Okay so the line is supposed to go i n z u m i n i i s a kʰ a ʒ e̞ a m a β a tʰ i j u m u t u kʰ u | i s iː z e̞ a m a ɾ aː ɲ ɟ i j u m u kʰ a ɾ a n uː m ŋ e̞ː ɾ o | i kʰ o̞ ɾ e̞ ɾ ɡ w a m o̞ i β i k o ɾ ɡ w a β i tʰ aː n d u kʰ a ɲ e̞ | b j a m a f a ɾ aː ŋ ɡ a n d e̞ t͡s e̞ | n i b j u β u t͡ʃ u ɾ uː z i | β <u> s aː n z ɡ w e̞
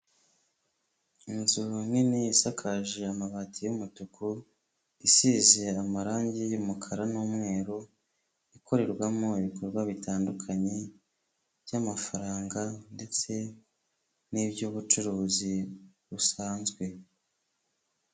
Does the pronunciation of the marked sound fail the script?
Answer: no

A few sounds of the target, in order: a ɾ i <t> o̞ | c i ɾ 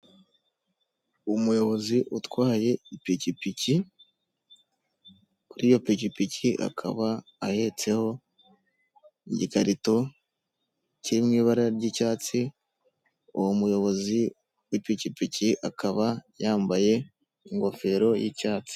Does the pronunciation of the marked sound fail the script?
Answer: no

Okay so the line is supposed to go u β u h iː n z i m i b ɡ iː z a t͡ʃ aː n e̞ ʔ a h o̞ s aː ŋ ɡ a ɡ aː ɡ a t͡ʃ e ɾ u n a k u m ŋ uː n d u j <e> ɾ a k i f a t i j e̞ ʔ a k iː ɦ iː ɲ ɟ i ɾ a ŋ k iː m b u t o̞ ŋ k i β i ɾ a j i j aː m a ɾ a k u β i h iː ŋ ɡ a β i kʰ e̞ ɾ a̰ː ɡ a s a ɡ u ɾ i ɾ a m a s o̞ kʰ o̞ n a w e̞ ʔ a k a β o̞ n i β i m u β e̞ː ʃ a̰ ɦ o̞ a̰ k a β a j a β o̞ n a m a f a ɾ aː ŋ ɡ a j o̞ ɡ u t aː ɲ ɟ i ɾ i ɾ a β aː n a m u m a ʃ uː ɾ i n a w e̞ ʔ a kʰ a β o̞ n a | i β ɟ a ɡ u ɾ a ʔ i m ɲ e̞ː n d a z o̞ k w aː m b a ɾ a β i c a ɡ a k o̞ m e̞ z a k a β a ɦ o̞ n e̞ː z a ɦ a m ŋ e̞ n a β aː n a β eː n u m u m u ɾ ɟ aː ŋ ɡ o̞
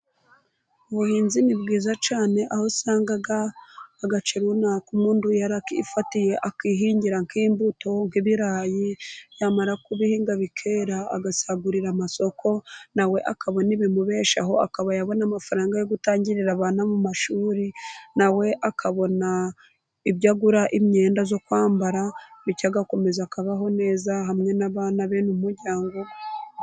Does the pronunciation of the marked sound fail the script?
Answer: yes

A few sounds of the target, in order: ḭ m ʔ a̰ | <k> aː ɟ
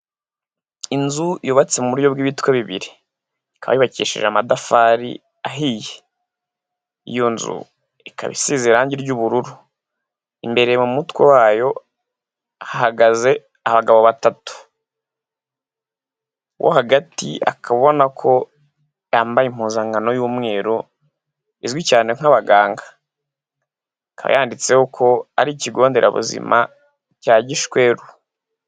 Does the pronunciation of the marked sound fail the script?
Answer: yes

